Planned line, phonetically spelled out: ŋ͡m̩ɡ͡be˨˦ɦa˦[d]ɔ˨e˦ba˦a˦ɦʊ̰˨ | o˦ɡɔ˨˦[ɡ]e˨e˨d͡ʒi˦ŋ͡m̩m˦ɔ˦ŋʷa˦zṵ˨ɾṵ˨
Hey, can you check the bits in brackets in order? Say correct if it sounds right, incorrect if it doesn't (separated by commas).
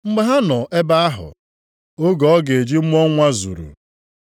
incorrect, correct